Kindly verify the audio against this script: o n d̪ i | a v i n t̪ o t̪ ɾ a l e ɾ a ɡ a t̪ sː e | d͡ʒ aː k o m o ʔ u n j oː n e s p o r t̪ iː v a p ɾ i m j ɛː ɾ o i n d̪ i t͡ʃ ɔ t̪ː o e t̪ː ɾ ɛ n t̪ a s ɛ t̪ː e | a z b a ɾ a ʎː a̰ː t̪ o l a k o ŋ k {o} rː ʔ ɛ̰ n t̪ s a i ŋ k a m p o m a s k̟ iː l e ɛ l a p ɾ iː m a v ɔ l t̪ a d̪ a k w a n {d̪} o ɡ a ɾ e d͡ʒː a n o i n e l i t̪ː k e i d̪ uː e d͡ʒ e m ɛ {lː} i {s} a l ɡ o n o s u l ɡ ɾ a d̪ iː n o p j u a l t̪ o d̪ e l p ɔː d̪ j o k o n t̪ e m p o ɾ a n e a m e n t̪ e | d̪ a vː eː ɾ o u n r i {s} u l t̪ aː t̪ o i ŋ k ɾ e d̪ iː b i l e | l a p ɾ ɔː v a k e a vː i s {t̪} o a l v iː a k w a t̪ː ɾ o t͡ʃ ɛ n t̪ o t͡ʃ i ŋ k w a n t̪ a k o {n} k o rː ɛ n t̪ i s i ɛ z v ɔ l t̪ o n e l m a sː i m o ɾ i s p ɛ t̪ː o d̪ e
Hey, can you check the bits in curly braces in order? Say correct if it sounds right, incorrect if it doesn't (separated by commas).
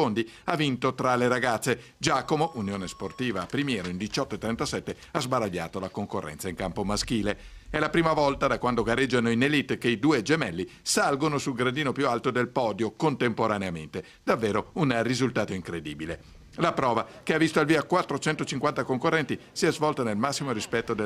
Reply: correct, correct, correct, correct, incorrect, correct, incorrect